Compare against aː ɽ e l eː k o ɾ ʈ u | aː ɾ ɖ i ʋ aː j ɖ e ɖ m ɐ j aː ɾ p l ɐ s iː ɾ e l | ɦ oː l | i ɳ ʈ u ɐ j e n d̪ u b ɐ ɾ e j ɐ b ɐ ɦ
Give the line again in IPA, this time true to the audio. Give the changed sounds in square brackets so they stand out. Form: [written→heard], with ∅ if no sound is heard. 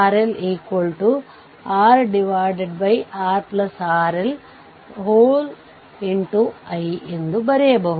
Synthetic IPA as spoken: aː [ɽ→ɾ] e l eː k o [ɾ→l] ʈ u | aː ɾ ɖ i ʋ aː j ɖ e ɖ [m→b] ɐ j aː ɾ p l ɐ s [iː→aː] ɾ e l | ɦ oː l | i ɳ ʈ u ɐ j e n d̪ u b ɐ ɾ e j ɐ b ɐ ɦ